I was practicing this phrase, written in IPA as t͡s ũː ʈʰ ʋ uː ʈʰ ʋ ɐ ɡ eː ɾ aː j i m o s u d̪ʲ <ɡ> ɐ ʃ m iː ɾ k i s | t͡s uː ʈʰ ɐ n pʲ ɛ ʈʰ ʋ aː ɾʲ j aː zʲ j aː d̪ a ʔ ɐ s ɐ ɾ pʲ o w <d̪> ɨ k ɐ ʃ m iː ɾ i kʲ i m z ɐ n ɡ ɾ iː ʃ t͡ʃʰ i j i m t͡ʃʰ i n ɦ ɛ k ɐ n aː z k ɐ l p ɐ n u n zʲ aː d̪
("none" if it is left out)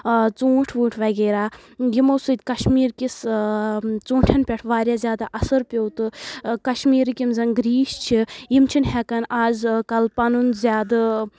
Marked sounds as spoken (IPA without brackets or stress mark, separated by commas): k, t̪